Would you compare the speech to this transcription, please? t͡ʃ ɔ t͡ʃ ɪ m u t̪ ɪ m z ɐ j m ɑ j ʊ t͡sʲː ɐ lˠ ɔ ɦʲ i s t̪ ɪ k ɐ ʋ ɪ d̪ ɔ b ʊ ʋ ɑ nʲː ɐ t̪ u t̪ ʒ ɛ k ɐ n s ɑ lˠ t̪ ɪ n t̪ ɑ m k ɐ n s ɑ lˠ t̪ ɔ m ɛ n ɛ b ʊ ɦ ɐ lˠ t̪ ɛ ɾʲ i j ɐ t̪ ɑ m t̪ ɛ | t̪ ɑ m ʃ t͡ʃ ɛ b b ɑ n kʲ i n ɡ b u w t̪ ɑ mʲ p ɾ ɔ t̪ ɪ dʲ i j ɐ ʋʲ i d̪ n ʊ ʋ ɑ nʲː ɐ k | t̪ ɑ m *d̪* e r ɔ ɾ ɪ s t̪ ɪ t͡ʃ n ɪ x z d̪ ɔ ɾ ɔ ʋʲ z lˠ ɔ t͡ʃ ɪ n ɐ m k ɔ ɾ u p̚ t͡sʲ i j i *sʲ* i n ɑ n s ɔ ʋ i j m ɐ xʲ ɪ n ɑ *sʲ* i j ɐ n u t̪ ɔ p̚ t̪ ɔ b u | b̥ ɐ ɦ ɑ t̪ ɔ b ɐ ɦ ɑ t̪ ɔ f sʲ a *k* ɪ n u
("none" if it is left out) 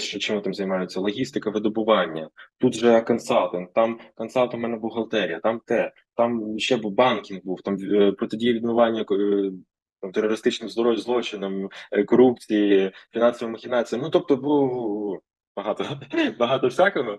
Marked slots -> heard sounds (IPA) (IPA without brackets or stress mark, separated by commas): t̪, fʲ, t͡sʲ, k